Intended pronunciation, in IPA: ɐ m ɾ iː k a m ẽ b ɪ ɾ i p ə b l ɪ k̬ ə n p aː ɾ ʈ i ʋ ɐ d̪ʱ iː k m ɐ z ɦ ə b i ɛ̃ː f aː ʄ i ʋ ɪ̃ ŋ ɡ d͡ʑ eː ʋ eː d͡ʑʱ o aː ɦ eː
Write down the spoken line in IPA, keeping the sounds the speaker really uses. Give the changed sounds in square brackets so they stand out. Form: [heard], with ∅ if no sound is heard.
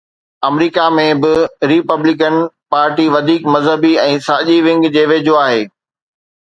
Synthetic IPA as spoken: ɐ m ɾ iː k a m ẽ b ɪ ɾ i p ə b l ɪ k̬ ə n p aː ɾ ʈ i ʋ ɐ d̪ʱ iː k m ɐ z ɦ ə b i ɛ̃ː [s] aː ʄ i ʋ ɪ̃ ŋ ɡ d͡ʑ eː ʋ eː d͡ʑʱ o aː ɦ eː